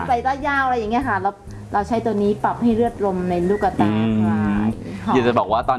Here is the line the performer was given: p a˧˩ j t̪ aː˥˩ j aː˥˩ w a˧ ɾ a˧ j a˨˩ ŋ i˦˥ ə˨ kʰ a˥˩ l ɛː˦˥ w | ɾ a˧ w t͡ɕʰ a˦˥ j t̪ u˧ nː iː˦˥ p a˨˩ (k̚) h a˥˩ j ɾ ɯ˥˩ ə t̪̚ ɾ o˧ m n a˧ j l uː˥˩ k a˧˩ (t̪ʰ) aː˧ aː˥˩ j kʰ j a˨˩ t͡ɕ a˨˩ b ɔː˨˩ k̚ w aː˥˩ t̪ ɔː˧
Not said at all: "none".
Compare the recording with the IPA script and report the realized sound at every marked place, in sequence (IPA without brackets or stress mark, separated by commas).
p̚, t̪